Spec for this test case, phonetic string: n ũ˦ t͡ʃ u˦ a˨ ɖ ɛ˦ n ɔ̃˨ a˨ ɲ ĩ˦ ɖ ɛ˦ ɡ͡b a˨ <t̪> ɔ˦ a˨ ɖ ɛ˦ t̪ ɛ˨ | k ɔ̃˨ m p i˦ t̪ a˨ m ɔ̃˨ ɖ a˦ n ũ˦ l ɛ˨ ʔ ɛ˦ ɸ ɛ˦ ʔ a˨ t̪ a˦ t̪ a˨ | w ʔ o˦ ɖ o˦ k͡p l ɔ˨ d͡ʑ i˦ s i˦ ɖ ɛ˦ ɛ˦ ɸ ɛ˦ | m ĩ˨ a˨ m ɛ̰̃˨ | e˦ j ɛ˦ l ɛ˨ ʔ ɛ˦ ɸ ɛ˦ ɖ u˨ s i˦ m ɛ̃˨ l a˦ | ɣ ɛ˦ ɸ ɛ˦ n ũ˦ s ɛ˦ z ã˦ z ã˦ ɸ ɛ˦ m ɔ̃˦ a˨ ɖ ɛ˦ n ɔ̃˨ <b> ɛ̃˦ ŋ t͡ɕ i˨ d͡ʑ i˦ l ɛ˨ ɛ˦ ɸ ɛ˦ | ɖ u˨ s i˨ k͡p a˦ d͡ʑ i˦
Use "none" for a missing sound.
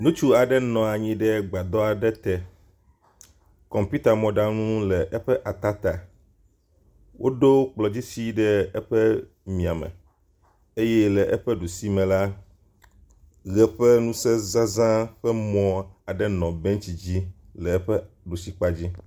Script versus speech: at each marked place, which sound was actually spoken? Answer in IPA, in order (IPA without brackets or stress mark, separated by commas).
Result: d̪, b